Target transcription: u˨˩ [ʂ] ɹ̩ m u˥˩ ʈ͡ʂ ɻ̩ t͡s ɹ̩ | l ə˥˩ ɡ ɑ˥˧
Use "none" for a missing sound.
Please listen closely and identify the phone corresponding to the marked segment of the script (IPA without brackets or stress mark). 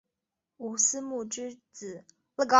s